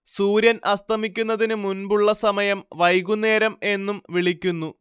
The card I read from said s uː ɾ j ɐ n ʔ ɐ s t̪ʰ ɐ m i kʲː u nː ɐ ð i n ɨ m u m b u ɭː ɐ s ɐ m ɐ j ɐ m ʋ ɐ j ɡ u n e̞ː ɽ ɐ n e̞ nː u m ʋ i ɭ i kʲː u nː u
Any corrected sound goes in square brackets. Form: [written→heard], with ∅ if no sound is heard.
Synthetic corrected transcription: s uː ɾ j ɐ n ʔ ɐ s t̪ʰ ɐ m i kʲː u nː ɐ ð i n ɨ m u [m→n] b u ɭː ɐ s ɐ m ɐ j ɐ m ʋ ɐ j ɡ u n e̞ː [ɽ→ɾ] ɐ [n→m] e̞ nː u m ʋ i ɭ i kʲː u nː u

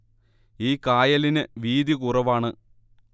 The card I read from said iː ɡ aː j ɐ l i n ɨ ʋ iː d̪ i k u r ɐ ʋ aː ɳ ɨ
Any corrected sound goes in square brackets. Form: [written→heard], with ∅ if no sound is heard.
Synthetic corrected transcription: iː [ɡ→k] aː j ɐ l i n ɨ ʋ iː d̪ i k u r ɐ ʋ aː ɳ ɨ

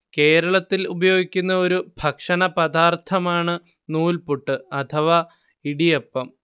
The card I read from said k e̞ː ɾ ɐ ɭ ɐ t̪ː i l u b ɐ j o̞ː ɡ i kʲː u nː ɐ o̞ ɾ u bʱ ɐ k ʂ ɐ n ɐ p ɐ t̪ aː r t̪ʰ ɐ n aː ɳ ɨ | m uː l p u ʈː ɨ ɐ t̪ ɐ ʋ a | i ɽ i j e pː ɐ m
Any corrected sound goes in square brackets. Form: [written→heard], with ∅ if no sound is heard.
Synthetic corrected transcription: k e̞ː ɾ ɐ ɭ ɐ t̪ː i l u b ɐ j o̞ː ɡ i kʲː u nː ɐ o̞ ɾ u bʱ ɐ k ʂ ɐ n ɐ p ɐ [t̪→d̪] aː r t̪ʰ ɐ [n→m] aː ɳ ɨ | [m→n] uː l p u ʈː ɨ ɐ [t̪→t̪ʰ] ɐ ʋ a | i ɽ i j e pː ɐ m

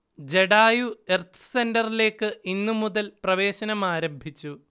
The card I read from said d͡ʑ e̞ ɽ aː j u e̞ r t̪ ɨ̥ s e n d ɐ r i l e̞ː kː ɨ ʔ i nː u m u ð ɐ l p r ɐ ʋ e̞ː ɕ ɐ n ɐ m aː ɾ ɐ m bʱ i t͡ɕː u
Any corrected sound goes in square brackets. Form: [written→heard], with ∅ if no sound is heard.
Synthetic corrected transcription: d͡ʑ e̞ ɽ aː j u e̞ r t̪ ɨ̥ s e n d ɐ r i l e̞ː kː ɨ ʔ i nː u m u ð ɐ l p r ɐ ʋ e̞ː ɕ ɐ n ɐ m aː ɾ ɐ m bʱ i t͡ɕː u

